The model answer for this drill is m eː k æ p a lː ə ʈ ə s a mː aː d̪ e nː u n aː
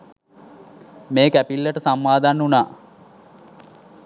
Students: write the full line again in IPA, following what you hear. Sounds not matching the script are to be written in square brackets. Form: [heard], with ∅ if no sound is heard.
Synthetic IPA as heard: m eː k æ p [i] lː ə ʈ ə s a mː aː d̪ [a] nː u n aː